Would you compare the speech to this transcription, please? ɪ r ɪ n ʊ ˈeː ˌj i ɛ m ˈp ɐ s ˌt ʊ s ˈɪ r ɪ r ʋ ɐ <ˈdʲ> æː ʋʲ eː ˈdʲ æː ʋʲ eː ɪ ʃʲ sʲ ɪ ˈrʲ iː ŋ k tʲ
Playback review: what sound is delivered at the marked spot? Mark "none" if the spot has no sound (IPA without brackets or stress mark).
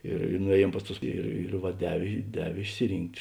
dʲ